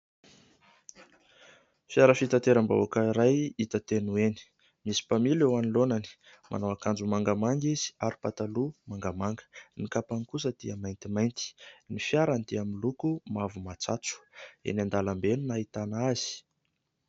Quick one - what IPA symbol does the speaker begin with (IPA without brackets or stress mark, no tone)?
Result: f